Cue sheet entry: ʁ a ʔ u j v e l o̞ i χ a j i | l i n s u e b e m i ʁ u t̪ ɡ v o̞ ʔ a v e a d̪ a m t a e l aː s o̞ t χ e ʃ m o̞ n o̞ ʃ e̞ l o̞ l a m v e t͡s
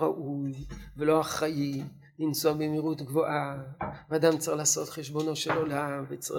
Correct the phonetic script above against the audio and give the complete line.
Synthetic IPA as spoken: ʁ a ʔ u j v e l o̞ a χ a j i | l i n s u a b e m i ʁ u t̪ ɡ v o̞ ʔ a v e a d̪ a m t͡s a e l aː s o̞ t χ e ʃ b o̞ n o̞ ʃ e̞ l o̞ l a m v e t͡s